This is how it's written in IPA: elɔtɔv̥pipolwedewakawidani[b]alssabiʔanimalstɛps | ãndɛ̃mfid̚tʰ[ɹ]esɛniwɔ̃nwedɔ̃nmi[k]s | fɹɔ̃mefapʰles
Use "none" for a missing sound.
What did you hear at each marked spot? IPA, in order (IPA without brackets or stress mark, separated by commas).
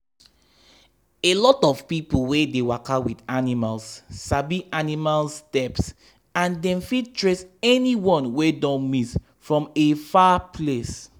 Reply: m, ɹ, none